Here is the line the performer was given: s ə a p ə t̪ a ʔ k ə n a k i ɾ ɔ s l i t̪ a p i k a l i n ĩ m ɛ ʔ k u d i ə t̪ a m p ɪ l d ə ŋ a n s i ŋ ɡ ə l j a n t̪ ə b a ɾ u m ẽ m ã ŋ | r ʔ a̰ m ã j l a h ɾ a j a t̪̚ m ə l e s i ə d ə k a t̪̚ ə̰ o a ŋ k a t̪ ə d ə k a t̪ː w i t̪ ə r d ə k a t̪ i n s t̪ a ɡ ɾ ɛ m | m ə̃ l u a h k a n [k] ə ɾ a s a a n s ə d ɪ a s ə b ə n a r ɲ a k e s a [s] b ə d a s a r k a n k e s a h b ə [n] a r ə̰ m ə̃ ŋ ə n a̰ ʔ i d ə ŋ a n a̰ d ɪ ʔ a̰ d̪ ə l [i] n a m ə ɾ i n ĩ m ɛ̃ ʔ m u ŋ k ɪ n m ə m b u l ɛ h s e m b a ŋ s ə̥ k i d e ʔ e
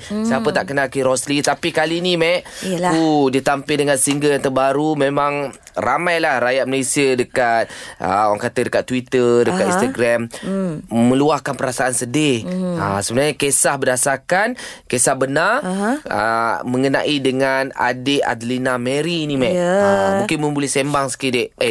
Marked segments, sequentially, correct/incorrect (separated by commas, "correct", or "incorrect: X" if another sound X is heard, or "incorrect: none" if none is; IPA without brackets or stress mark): incorrect: p, incorrect: h, correct, correct